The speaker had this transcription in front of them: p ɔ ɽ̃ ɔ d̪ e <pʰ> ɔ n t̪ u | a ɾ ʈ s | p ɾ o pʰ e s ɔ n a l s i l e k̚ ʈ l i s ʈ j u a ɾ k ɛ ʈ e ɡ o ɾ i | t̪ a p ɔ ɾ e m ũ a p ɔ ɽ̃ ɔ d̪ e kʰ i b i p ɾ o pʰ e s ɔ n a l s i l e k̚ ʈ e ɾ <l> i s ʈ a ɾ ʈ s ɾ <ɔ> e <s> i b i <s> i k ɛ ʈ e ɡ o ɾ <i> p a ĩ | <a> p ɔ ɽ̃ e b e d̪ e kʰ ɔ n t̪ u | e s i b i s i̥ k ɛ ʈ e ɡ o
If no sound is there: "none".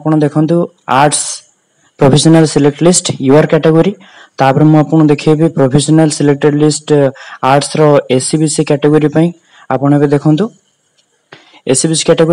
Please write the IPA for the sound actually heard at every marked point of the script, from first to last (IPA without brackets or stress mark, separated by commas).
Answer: kʰ, l, ɔ, s, s, i, a